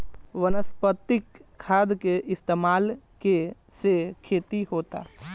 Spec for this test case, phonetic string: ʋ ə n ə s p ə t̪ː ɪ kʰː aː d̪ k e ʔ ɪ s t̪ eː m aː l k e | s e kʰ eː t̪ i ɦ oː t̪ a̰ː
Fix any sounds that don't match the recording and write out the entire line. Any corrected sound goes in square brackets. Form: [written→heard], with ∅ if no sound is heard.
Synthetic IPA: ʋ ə n ə s p ə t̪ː ɪ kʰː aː d̪ k e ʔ ɪ s t̪ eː m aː l k e | s e kʰ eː t̪ i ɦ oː t̪ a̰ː